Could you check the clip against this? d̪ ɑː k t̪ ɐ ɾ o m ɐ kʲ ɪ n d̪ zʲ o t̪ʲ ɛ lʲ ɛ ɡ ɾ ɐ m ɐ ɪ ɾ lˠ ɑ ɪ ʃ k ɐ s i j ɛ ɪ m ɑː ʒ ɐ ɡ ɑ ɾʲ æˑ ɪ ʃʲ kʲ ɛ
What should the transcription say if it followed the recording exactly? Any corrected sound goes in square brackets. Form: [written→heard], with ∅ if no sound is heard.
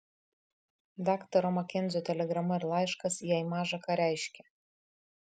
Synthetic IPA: d̪ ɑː k t̪ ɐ ɾ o m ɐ kʲ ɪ n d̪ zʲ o t̪ʲ ɛ lʲ ɛ ɡ ɾ ɐ m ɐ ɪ ɾ lˠ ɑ ɪ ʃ k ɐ s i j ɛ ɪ m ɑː ʒ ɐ [ɡ→k] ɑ ɾʲ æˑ ɪ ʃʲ kʲ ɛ